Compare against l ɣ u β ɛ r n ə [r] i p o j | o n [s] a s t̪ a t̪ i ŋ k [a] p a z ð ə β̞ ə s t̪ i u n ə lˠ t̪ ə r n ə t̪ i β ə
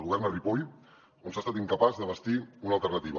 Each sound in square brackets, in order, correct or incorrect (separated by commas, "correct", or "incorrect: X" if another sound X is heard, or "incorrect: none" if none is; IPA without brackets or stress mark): correct, correct, incorrect: ə